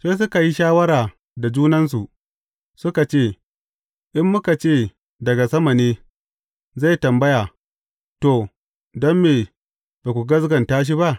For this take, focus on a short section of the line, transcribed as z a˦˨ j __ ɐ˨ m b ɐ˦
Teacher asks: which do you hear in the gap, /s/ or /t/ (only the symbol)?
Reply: t